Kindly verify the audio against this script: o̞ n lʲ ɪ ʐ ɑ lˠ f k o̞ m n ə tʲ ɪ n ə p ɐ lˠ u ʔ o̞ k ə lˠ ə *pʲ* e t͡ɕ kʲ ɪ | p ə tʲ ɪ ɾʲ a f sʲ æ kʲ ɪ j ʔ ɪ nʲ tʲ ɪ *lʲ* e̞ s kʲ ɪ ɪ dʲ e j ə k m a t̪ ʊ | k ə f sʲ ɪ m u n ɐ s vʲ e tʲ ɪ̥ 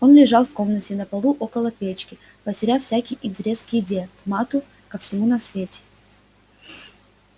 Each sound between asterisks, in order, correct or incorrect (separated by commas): correct, incorrect